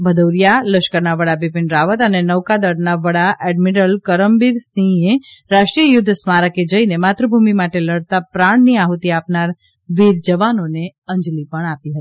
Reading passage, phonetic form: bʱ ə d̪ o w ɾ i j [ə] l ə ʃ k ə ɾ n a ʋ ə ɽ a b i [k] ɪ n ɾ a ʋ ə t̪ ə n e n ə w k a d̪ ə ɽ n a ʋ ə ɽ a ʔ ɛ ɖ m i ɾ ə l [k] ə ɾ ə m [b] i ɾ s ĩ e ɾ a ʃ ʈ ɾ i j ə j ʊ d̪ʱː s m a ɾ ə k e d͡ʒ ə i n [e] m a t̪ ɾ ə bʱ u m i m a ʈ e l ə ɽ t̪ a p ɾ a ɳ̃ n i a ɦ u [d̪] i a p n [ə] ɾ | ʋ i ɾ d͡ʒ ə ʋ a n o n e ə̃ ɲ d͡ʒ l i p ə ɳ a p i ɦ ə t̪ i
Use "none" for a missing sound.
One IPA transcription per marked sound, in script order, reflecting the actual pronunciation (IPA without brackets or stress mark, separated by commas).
a, p, k, b, e, t̪, a